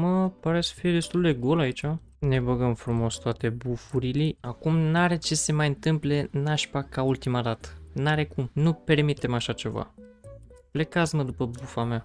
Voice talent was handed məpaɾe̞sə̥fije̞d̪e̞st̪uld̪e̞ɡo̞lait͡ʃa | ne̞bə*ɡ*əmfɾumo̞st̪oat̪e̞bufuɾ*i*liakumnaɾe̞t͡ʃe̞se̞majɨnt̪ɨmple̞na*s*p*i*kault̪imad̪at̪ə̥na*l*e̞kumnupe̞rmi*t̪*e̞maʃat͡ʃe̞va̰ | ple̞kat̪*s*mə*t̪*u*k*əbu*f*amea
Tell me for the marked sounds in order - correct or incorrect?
correct, correct, incorrect: ʃ, incorrect: a, incorrect: ɾ, correct, correct, incorrect: d̪, incorrect: p, correct

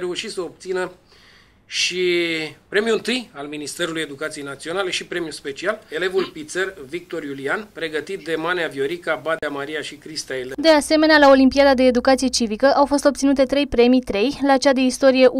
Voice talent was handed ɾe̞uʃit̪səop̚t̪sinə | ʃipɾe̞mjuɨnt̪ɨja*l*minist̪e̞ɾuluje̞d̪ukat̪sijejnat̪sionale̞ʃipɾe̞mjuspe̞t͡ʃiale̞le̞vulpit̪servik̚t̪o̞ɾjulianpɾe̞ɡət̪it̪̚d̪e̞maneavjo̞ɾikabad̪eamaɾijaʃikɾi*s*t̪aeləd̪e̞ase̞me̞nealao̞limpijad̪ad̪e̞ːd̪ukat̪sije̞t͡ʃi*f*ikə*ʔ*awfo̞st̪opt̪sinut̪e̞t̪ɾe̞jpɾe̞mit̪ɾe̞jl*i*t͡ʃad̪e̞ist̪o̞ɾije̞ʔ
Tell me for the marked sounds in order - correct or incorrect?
correct, correct, incorrect: v, correct, incorrect: a

